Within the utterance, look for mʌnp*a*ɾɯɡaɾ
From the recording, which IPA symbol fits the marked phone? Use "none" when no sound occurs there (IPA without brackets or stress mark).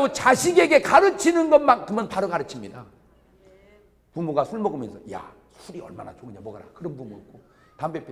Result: a